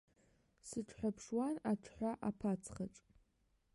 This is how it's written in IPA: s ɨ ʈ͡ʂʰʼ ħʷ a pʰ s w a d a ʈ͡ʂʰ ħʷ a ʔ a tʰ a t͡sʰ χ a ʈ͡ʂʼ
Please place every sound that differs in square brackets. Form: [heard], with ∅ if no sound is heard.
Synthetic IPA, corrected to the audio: s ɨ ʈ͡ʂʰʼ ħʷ a pʰ [ʂ] w a [n] a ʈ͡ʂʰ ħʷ a ʔ a [pʰ] a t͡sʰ χ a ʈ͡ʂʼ